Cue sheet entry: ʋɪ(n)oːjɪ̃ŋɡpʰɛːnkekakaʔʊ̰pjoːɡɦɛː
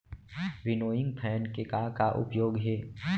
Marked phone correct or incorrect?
correct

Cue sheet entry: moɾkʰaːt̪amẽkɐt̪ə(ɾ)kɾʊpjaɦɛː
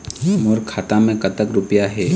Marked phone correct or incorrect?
incorrect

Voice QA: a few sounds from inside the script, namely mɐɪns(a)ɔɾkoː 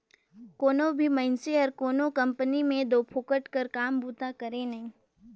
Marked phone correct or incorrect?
incorrect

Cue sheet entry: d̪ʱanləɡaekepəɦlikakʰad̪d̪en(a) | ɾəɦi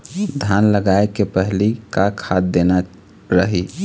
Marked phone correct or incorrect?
correct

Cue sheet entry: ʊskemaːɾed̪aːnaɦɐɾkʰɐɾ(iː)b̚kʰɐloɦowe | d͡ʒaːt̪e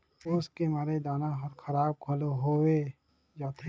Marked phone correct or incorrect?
incorrect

